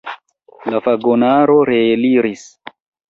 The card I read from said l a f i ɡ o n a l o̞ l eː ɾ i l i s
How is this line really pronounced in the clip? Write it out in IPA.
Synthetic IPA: l a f a ɡ o n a ɾ o̞ ɾ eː l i ɾ i s